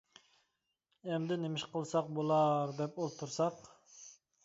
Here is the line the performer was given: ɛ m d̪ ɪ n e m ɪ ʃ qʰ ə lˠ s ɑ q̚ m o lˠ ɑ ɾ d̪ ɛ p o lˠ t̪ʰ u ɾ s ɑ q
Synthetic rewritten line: ɛ m d̪ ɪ n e m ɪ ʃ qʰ ə lˠ s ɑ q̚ b o lˠ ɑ ɾ d̪ ɛ p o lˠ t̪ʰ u ɾ s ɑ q